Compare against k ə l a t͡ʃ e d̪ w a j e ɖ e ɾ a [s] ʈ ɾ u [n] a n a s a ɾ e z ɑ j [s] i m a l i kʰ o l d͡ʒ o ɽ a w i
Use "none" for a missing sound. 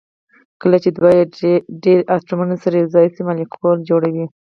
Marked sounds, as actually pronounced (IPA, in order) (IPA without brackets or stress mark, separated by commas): s, m, s